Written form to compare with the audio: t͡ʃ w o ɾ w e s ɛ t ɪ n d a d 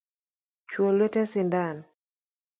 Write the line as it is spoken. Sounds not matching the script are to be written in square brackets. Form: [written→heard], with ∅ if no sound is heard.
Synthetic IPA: t͡ʃ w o [ɾ→l] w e [s→t] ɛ [t→s] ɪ n d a [d→n]